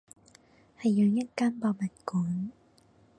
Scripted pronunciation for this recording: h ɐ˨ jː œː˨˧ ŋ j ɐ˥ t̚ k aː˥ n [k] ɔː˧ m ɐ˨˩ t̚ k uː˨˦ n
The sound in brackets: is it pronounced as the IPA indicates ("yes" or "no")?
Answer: no